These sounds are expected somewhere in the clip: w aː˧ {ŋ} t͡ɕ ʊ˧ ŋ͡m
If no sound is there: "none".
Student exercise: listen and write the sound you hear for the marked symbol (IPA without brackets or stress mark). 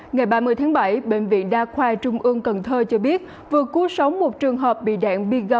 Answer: none